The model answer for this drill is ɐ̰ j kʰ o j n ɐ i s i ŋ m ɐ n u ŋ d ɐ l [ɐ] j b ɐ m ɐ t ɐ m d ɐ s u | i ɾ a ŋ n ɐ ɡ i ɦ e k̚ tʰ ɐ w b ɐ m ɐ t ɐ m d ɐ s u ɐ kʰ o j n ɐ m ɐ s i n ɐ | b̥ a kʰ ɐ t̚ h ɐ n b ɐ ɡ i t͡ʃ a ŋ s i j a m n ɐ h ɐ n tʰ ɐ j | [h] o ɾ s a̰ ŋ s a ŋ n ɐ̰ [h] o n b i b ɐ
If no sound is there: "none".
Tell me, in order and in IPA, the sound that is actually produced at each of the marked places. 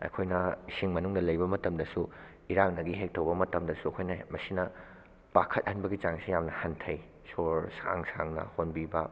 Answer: ɐ, s, h

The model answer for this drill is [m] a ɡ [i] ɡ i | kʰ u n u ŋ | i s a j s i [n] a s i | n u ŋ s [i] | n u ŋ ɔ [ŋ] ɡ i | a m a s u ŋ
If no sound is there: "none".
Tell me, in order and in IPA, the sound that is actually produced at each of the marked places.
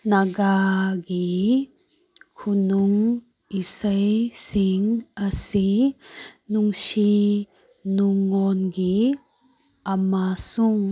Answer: n, a, ŋ, i, n

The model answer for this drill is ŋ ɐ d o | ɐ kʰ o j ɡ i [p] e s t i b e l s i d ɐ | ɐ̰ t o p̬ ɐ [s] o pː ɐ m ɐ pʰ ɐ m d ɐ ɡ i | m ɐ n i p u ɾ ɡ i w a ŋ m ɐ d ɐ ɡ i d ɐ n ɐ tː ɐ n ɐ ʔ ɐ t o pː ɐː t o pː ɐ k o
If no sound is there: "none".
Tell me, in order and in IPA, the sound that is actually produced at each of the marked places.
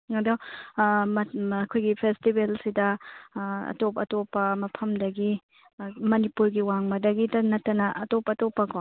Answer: pʰ, t

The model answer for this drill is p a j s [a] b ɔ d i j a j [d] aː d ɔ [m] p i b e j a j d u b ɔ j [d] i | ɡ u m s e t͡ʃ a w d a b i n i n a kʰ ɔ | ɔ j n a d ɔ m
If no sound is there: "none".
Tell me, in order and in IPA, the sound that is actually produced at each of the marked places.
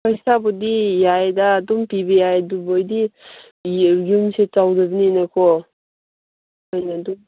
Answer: a, d, m, d

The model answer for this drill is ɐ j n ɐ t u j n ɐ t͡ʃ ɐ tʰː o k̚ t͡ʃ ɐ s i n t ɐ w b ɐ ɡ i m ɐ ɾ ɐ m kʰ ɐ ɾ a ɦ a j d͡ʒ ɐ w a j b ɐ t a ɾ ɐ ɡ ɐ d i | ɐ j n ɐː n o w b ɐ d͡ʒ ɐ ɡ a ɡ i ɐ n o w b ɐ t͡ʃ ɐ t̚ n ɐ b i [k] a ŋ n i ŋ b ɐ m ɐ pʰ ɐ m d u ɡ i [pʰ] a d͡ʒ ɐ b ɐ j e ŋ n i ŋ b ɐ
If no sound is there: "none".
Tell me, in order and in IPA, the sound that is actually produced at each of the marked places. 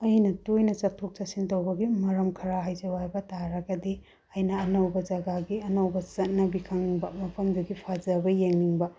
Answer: kʰ, pʰ

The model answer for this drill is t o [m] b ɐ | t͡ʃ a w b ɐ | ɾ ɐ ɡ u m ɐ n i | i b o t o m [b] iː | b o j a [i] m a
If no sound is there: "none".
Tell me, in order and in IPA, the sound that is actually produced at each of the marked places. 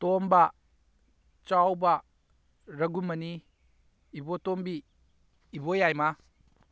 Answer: m, b, j

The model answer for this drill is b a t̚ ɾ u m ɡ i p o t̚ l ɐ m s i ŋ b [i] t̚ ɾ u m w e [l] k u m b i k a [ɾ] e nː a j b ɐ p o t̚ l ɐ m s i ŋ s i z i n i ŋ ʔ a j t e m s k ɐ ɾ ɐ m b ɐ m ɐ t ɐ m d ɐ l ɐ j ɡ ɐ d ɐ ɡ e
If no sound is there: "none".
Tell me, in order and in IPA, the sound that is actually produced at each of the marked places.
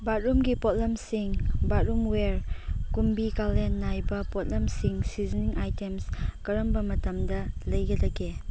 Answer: a, ɾ, l

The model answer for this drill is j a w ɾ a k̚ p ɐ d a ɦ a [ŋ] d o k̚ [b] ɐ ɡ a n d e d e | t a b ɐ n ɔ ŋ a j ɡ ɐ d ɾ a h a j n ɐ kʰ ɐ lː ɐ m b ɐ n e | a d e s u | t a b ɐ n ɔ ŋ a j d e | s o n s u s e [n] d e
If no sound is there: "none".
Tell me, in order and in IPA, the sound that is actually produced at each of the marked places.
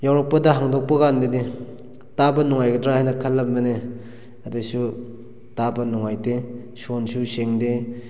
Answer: ŋ, p, ŋ

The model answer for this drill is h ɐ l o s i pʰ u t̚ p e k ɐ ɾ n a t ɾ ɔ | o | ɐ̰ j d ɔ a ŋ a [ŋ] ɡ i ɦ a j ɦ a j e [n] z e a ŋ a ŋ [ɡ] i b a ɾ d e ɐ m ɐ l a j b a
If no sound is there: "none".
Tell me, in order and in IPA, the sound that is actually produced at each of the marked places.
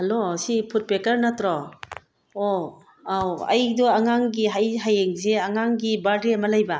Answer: ŋ, ŋ, ɡ

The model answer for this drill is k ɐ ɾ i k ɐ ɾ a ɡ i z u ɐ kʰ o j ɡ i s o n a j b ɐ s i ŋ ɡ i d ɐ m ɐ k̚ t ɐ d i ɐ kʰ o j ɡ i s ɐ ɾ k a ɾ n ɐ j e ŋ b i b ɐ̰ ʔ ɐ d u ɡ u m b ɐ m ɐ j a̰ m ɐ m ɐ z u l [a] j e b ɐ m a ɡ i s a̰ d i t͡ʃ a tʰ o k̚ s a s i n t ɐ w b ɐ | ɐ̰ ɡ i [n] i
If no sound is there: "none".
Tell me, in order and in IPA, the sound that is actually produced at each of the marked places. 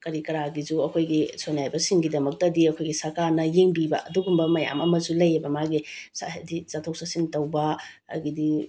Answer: ɐ, d

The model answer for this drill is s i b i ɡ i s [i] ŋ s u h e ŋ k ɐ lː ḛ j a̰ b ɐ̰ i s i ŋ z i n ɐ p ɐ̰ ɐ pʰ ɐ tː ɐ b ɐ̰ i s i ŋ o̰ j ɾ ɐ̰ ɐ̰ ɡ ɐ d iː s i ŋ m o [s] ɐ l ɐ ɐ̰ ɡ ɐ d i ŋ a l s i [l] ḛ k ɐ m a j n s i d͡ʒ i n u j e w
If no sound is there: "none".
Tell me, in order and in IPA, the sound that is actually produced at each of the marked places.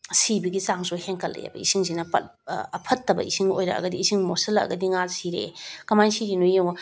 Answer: a, s, ɾ

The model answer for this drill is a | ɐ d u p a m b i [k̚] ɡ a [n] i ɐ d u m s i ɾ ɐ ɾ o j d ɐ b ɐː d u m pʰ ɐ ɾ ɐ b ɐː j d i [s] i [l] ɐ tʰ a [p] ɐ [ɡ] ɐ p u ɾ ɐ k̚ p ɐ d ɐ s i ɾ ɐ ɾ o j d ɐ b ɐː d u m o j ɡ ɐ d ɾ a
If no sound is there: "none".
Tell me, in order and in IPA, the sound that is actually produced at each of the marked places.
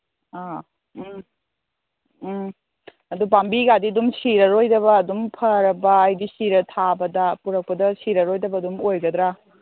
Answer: none, d, s, ɾ, b, d

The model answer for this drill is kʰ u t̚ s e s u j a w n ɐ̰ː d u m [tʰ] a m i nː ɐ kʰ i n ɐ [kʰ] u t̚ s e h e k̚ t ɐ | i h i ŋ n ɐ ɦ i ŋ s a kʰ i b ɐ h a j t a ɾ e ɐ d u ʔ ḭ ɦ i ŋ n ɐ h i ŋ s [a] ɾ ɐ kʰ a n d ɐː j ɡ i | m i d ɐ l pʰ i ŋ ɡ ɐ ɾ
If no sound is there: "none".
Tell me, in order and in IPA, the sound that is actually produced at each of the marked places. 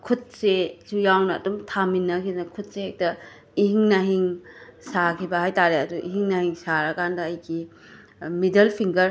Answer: tʰ, kʰ, a

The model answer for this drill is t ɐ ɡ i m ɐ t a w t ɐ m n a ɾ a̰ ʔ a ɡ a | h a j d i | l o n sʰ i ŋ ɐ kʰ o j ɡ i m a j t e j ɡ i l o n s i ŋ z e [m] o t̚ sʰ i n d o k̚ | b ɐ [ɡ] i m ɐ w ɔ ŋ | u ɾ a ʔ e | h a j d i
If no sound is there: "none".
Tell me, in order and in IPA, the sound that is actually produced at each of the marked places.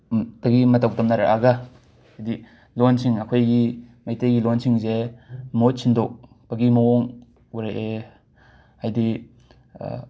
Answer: m, ɡ

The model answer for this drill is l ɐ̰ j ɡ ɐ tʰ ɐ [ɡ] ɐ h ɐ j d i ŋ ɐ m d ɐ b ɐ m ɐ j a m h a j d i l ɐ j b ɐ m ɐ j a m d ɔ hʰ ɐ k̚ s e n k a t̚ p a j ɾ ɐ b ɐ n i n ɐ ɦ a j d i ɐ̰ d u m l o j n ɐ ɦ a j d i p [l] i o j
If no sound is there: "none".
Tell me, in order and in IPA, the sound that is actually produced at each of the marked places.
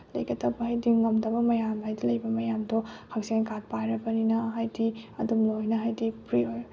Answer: b, ɾ

